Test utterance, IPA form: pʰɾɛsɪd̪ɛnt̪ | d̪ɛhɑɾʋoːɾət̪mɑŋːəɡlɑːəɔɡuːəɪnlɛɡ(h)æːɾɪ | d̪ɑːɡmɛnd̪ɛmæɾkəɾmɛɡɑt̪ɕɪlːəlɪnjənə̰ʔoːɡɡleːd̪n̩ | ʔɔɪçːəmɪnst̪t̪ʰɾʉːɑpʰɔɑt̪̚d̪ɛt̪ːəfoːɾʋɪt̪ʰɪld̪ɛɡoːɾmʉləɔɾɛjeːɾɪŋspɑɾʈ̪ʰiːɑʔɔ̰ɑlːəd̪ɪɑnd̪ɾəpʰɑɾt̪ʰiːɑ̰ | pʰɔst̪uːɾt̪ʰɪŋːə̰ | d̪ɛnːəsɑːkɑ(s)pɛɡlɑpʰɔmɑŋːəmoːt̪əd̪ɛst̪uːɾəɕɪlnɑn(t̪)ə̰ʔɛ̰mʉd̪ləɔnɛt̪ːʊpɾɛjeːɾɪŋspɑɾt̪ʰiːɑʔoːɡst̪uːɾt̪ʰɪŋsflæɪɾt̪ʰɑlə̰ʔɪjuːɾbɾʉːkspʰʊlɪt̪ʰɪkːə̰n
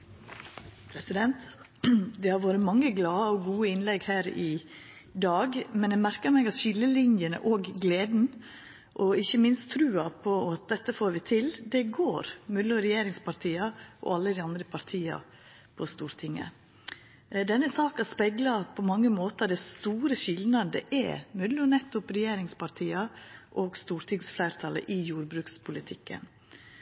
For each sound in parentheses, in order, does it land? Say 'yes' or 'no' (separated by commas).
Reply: yes, yes, no